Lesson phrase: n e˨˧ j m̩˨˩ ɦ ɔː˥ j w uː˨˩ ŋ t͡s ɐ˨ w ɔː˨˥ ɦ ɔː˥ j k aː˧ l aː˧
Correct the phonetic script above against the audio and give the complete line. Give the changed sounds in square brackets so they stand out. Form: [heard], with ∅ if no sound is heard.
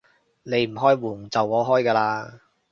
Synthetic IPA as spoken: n e˨˧ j m̩˨˩ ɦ ɔː˥ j w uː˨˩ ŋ t͡s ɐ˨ w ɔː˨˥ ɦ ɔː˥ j k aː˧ l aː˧

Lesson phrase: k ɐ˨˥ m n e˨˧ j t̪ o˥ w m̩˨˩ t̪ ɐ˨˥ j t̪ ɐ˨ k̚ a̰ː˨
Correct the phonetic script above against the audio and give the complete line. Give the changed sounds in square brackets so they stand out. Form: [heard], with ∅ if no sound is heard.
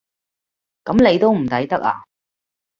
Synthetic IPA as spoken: k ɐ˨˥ m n e˨˧ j t̪ o˥ w m̩˨˩ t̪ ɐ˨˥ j t̪ [ɐ˥] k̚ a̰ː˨

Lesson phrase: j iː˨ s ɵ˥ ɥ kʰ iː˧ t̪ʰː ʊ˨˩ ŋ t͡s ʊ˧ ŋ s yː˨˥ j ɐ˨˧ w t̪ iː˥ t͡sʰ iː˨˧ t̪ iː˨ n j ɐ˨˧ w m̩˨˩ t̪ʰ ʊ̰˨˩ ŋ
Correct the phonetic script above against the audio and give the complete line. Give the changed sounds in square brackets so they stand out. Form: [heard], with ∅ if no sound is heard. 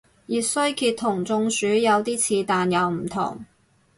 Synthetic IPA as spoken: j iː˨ s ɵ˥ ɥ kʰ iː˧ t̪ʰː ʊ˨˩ ŋ t͡s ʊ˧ ŋ s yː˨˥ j ɐ˨˧ w t̪ iː˥ t͡sʰ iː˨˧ t̪ [aː˨] n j ɐ˨˧ w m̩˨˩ t̪ʰ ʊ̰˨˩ ŋ

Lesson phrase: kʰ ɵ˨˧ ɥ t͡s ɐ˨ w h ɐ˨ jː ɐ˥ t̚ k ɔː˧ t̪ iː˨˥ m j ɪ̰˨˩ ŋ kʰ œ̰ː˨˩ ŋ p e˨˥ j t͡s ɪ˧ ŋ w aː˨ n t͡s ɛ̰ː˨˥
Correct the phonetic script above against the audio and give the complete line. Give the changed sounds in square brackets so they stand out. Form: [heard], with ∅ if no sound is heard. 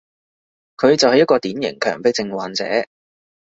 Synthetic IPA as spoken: kʰ ɵ˨˧ ɥ t͡s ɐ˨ w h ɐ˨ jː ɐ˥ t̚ k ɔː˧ t̪ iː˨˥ [n] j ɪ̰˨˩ ŋ kʰ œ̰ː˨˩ ŋ p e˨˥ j t͡s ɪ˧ ŋ w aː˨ n t͡s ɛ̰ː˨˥

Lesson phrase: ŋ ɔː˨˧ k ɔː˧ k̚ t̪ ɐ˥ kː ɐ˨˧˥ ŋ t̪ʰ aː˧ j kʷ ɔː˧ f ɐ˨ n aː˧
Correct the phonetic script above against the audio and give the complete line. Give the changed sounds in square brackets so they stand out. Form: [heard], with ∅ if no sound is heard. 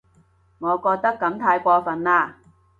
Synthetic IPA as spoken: ŋ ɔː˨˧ k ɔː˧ k̚ t̪ ɐ˥ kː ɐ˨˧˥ [m] t̪ʰ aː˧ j kʷ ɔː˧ f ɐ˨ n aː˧

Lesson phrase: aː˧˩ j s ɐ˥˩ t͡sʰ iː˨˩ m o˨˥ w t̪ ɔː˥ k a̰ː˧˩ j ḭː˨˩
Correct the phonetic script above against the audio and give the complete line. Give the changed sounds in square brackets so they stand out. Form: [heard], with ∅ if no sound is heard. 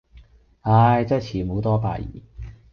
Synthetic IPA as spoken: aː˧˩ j [t͡s] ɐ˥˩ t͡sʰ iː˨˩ m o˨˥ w t̪ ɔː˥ [p] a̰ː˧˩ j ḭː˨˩

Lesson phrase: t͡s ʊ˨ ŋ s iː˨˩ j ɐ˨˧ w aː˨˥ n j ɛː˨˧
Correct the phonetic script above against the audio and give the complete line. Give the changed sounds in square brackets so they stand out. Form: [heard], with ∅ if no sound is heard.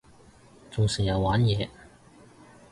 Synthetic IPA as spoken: t͡s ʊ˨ ŋ s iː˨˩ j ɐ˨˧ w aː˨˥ n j ɛː˨˧

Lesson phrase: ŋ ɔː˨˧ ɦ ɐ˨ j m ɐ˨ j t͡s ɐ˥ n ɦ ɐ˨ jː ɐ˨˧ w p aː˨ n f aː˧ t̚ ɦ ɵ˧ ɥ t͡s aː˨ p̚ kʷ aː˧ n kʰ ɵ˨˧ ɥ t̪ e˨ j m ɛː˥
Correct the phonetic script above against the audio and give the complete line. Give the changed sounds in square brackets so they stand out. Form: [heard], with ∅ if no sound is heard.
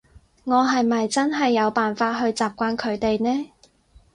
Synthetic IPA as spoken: ŋ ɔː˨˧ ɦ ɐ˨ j m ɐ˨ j t͡s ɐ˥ n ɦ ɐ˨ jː ɐ˨˧ w p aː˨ n f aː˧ t̚ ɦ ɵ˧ ɥ t͡s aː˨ p̚ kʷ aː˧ n kʰ ɵ˨˧ ɥ t̪ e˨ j [n] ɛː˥

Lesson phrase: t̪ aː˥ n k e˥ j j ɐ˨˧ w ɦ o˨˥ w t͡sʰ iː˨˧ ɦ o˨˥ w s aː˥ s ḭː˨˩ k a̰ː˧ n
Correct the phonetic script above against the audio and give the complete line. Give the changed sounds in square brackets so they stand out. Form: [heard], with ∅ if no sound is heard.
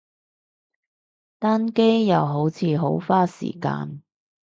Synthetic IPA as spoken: t̪ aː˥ n k e˥ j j ɐ˨˧ w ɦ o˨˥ w t͡sʰ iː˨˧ ɦ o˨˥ w [f] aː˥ s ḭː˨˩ k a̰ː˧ n

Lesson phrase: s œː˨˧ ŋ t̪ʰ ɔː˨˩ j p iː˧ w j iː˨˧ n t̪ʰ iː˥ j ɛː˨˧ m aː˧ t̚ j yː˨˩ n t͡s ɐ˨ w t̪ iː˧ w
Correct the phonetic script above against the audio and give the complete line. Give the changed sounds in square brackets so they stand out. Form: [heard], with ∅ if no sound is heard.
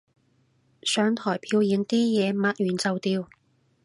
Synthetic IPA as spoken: s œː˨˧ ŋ t̪ʰ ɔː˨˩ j [pʰ] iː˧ w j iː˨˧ n [t̪] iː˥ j ɛː˨˧ m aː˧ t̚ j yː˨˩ n t͡s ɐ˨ w t̪ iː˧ w

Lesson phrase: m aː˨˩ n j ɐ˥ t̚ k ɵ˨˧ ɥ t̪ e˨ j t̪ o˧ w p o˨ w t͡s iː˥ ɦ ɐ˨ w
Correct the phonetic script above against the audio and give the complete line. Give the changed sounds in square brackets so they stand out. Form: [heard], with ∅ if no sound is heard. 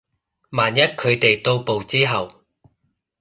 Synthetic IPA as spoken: m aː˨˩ n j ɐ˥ t̚ [kʰ] ɵ˨˧ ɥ t̪ e˨ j t̪ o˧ w p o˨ w t͡s iː˥ ɦ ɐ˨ w

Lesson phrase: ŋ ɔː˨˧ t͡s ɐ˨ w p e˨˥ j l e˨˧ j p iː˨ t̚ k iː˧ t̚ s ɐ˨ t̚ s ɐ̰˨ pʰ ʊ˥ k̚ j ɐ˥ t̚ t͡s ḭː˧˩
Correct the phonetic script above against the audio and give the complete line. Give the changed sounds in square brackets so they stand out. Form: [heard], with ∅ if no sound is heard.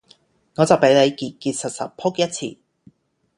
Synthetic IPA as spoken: ŋ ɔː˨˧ t͡s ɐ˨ w p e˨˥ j l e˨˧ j [k] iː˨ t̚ k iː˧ t̚ s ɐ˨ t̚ s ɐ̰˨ pʰ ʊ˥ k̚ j ɐ˥ t̚ [t͡sʰ] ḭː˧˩

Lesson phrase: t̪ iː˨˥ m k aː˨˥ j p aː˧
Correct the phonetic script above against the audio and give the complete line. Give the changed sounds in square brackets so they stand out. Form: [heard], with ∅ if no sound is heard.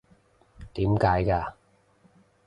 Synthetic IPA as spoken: t̪ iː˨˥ m k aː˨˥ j [k] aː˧

